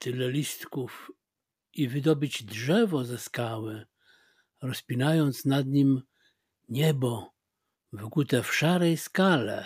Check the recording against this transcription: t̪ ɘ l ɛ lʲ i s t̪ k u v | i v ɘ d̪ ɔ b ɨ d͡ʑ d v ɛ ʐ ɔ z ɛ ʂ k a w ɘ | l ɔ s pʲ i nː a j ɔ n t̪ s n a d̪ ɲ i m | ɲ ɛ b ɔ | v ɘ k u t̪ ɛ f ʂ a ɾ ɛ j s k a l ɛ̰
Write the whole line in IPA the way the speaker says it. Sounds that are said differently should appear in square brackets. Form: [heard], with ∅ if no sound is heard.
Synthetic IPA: t̪ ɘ l ɛ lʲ i s t̪ k u [f] | i v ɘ d̪ ɔ b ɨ d͡ʑ d [ʐ] ɛ [v] ɔ z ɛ [s] k a w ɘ | [ɾ] ɔ s pʲ i [n] a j ɔ n t̪ s n a d̪ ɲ i m | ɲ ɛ b ɔ | v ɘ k u t̪ ɛ f ʂ a ɾ ɛ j s k a l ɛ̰